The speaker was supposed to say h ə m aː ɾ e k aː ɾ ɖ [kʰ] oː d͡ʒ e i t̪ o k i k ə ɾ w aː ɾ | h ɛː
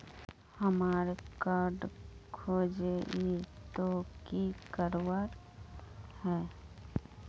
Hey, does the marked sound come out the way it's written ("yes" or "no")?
yes